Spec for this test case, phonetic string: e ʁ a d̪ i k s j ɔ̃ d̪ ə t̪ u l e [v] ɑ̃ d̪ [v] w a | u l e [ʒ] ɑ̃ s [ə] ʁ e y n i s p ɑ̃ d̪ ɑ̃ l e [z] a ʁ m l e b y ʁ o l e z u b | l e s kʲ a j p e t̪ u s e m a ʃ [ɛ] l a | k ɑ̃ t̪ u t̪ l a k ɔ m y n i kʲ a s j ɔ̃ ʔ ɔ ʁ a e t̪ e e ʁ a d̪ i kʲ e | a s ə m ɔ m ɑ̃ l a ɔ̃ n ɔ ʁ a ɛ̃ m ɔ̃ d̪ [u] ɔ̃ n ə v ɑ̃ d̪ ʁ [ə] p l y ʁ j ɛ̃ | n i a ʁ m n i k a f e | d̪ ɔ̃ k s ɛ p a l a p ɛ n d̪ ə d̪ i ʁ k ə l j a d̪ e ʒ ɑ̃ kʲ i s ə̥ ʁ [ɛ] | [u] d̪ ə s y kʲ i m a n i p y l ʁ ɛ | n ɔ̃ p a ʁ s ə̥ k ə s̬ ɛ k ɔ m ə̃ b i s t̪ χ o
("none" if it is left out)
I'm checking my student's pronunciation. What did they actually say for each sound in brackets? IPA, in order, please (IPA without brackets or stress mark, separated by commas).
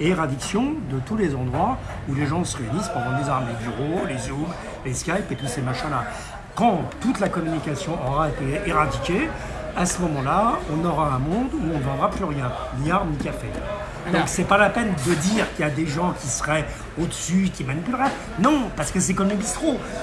z, ʁ, ʒ, ə, z, ɛ̃, u, a, ɛ, o